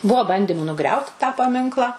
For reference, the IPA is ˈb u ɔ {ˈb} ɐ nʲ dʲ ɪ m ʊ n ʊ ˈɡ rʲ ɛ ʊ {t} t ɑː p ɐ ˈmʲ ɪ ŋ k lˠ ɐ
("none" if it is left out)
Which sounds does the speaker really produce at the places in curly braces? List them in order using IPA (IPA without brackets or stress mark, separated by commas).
b, t